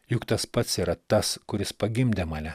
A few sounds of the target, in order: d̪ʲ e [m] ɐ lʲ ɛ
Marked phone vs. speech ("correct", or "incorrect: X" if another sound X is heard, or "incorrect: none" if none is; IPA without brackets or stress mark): correct